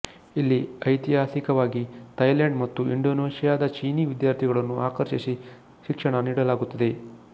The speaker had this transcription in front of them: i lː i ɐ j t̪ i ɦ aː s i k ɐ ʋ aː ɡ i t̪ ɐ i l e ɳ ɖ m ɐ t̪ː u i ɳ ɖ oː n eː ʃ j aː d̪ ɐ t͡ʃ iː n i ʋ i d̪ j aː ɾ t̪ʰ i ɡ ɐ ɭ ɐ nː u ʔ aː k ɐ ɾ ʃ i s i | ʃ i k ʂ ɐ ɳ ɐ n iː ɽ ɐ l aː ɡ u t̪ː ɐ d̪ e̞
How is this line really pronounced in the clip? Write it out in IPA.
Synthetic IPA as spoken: i lː i ɐ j t̪ i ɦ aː s i k ɐ ʋ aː ɡ i t̪ ɐ j l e ɳ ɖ m ɐ t̪ː u i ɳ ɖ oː n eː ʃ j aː d̪ ɐ t͡ʃ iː n i ʋ i d̪ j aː ɾ t̪ʰ i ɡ ɐ ɭ ɐ nː u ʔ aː k ɐ ɾ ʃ i s i | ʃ i k ʂ ɐ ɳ ɐ n iː ɽ ɐ l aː ɡ u t̪ː ɐ d̪ e̞